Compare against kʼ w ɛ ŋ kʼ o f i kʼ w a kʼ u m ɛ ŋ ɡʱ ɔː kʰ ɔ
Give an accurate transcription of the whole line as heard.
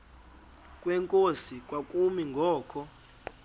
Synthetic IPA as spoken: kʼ w ɛ ŋ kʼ o s i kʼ w a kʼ u m i ŋ ɡʱ ɔː kʰ ɔ